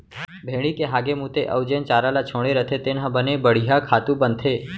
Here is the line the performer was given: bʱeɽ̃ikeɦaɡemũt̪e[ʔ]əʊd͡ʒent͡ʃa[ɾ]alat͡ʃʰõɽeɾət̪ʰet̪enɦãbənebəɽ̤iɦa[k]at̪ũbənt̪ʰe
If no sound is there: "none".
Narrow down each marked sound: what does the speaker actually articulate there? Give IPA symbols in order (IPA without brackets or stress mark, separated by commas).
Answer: ʔ, ɾ, kʰ